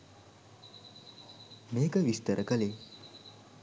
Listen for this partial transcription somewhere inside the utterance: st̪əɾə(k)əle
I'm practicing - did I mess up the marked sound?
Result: no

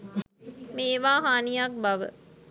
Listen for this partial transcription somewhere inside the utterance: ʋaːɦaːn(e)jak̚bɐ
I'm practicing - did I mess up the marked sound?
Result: yes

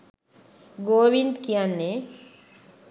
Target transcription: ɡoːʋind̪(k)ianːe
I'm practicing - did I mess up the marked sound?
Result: no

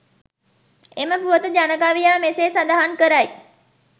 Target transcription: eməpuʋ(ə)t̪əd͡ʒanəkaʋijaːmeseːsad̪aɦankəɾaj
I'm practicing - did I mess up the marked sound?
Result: no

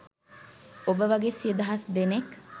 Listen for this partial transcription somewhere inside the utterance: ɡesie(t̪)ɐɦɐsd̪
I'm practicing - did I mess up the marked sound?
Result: yes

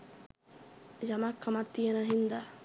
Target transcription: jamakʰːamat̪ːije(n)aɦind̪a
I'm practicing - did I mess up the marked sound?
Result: no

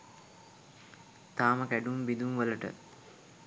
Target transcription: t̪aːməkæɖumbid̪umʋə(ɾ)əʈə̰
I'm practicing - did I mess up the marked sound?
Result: yes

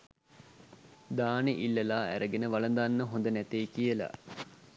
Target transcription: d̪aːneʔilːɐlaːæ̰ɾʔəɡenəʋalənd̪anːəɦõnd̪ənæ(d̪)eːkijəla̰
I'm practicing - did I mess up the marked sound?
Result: yes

